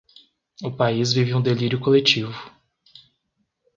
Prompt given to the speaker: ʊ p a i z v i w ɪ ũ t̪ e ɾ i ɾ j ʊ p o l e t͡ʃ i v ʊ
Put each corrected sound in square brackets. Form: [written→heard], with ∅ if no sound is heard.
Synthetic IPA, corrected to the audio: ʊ p a i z v i [w→v] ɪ ũ [t̪→d̪] e [ɾ→l] i ɾ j ʊ [p→k] o l e t͡ʃ i v ʊ